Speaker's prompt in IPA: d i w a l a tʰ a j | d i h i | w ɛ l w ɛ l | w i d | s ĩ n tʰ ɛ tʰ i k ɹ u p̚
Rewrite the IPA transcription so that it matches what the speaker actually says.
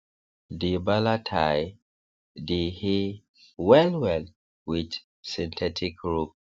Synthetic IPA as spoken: d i b a l a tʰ a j | d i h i | w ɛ l w ɛ l | w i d | s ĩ n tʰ ɛ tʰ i k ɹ u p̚